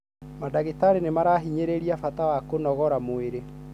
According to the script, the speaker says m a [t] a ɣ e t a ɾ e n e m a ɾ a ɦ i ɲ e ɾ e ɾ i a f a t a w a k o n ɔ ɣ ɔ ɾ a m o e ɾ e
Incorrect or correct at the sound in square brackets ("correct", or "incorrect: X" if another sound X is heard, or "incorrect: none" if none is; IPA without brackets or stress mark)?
incorrect: d